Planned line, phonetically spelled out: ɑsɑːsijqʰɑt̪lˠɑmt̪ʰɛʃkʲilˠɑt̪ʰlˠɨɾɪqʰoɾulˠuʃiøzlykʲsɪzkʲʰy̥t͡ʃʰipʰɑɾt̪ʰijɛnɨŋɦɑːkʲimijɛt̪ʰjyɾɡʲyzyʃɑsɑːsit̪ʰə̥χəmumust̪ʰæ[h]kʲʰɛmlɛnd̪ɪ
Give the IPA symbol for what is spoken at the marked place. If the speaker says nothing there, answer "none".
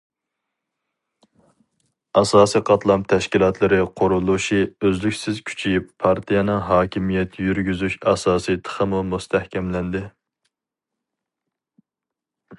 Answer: h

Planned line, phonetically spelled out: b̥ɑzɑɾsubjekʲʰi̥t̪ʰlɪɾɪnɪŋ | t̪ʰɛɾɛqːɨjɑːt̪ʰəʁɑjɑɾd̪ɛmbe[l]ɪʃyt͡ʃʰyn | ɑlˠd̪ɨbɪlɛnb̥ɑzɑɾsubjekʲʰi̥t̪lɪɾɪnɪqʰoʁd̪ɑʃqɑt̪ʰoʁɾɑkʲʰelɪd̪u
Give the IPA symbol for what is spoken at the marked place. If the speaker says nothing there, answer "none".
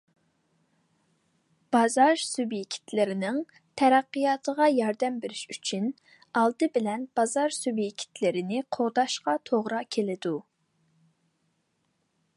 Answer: ɾ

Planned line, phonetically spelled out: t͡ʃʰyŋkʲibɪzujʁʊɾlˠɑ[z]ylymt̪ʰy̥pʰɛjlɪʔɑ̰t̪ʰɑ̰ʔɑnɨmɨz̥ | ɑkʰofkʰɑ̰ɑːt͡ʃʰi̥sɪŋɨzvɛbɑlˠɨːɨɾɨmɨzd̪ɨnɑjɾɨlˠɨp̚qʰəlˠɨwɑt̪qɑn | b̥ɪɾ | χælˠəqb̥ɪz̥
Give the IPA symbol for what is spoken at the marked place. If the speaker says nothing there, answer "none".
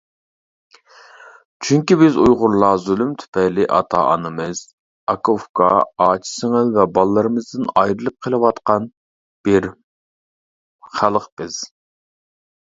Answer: z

